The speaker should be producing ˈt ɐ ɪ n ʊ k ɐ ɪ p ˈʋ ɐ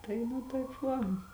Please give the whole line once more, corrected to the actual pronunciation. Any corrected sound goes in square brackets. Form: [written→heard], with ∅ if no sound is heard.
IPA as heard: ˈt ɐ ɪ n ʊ [k→t] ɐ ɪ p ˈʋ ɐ